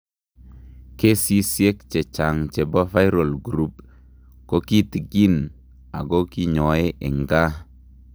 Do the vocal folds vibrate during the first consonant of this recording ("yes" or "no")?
no